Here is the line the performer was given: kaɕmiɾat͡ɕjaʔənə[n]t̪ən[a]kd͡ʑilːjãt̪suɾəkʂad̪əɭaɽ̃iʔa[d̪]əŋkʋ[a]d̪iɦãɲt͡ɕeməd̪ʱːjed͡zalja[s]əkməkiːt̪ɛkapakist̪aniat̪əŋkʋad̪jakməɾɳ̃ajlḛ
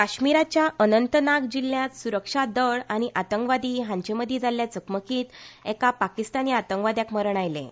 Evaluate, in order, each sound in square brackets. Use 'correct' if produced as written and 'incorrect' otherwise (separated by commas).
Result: correct, correct, incorrect, correct, incorrect